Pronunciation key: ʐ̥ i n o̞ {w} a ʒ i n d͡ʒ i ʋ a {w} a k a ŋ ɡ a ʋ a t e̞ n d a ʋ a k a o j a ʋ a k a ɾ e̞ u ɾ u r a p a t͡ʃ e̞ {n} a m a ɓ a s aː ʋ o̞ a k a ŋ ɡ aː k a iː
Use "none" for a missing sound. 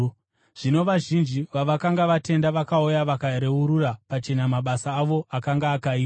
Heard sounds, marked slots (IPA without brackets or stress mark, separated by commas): ʋ, ʋ, n